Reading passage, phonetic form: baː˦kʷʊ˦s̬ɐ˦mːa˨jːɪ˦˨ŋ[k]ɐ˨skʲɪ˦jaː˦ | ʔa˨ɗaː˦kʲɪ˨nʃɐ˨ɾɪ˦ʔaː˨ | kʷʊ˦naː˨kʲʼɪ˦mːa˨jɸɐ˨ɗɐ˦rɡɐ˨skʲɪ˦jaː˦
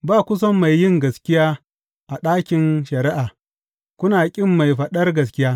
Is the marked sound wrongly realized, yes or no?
yes